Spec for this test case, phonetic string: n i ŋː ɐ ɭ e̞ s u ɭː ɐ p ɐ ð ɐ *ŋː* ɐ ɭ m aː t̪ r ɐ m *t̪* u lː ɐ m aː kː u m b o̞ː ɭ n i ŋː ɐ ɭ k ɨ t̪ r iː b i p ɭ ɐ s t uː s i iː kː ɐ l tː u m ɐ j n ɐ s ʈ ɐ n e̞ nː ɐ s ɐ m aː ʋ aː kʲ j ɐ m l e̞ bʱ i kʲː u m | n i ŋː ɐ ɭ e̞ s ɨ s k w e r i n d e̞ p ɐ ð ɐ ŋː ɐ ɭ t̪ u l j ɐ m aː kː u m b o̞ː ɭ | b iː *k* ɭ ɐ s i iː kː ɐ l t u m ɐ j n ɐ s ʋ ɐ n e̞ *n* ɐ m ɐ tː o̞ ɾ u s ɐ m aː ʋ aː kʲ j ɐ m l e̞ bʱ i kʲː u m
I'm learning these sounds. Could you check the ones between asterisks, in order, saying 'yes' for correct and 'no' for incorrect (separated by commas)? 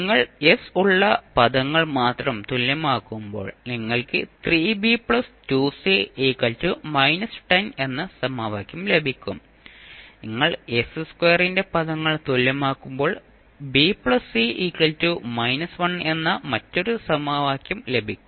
yes, yes, no, no